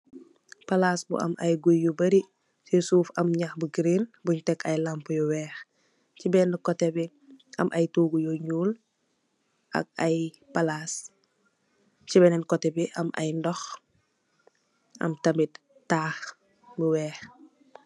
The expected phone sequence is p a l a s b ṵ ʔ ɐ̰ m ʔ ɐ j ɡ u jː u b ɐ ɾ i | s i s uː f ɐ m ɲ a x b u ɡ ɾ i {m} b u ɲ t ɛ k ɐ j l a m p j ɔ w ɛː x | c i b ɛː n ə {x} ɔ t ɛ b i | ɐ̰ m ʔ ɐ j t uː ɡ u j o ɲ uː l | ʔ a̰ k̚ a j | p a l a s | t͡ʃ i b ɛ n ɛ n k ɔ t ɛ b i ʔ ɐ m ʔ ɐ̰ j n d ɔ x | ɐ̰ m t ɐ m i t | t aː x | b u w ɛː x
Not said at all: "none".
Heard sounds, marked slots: n, k

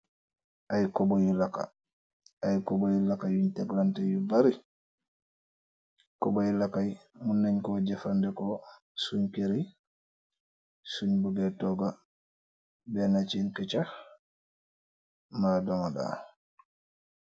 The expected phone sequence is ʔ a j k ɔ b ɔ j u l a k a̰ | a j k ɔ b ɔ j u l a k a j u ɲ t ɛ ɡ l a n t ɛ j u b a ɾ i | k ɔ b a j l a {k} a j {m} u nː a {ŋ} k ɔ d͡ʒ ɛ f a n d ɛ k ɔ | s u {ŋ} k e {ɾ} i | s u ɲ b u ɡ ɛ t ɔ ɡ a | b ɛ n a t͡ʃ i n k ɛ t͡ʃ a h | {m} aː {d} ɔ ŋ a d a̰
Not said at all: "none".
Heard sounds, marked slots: k, m, ɲ, ɲ, ɾ, m, d

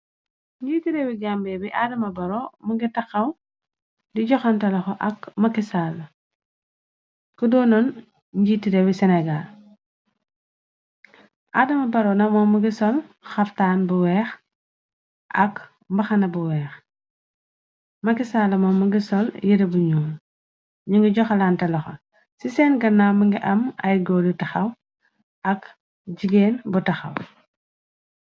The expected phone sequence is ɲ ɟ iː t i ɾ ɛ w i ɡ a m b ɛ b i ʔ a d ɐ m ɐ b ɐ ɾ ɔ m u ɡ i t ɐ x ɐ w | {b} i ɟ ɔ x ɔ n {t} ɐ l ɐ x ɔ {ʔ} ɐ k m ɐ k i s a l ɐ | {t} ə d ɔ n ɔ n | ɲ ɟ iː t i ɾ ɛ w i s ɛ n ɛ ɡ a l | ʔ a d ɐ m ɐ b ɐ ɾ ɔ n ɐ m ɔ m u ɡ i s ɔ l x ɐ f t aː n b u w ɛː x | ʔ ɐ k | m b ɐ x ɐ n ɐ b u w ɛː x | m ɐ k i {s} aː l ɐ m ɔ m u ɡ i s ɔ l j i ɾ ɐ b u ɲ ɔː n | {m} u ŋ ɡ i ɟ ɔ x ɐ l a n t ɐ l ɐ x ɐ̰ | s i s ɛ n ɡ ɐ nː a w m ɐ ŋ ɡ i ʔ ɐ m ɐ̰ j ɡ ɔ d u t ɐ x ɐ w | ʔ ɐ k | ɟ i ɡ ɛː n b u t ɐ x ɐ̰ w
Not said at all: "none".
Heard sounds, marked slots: d, t, ʔ, k, s, ɲ

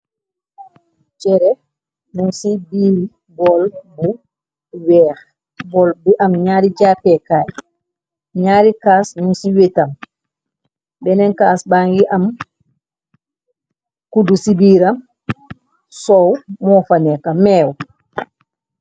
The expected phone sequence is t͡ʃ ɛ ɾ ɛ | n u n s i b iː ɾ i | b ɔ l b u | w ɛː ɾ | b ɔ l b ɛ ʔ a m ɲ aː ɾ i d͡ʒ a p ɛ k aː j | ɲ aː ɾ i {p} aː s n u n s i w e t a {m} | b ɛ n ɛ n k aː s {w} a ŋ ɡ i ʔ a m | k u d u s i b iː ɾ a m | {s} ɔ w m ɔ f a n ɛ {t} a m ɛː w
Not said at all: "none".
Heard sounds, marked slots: k, m, b, s, k

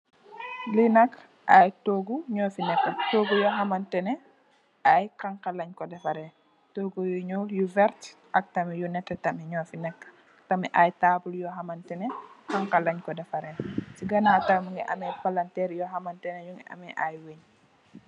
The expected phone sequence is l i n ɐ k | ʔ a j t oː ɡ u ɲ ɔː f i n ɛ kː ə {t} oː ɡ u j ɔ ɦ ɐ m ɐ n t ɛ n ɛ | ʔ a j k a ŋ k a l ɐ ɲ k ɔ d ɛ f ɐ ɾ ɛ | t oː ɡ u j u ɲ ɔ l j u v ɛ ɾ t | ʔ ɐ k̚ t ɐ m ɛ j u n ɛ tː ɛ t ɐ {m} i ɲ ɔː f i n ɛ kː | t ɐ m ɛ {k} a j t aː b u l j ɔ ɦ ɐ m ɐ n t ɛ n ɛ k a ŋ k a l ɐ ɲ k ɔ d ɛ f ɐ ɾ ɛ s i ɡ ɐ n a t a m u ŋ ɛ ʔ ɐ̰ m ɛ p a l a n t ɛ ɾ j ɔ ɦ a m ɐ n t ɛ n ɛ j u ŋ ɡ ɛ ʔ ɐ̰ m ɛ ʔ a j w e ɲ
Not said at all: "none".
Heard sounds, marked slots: t, m, ʔ

